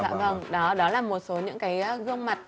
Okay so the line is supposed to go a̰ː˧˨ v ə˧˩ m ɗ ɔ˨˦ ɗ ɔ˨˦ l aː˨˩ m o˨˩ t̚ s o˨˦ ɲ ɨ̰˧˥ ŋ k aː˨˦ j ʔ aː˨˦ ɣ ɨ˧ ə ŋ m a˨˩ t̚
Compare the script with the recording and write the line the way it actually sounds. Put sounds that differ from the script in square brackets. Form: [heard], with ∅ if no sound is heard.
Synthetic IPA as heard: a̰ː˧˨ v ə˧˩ [ŋ] ɗ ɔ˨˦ ɗ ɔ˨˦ l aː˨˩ m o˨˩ t̚ s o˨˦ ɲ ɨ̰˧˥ ŋ k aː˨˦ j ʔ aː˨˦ ɣ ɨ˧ ə ŋ m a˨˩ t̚